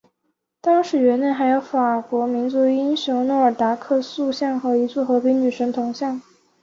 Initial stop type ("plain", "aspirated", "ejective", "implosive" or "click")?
plain